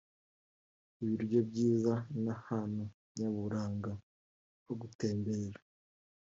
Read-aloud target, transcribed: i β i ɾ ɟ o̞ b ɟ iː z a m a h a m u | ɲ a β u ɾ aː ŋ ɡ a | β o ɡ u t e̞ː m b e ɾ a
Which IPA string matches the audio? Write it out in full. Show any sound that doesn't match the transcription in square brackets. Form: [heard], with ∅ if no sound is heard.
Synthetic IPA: i β i ɾ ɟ o̞ b ɟ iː z a [n] a h a [n] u | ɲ a β u ɾ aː ŋ ɡ a | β o ɡ u t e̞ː m b e ɾ a